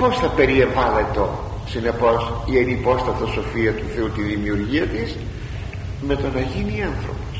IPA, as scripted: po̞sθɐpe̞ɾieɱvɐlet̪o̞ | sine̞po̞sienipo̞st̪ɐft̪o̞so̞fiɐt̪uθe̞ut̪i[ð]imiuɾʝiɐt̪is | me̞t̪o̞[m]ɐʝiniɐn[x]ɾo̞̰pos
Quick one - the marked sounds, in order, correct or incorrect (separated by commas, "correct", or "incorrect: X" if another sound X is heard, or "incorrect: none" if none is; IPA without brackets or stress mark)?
correct, incorrect: n, incorrect: θ